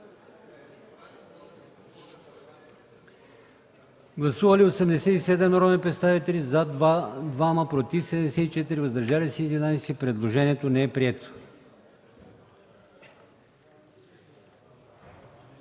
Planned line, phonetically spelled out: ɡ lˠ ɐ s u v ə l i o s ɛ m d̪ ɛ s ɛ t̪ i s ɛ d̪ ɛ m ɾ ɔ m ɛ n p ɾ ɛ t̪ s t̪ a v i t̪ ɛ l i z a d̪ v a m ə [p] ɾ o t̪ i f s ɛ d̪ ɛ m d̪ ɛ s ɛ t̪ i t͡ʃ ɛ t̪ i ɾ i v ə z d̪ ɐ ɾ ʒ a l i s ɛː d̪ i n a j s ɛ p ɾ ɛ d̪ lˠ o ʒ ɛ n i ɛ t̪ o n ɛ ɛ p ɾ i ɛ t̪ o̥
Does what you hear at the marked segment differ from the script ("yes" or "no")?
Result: no